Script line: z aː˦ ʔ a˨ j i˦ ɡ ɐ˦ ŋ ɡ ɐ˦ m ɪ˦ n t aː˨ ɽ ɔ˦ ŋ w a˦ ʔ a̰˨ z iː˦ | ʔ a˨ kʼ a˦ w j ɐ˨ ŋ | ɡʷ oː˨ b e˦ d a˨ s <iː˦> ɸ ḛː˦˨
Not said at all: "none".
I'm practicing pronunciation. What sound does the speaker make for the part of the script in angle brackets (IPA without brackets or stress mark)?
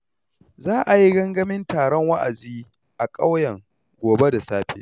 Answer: aː˦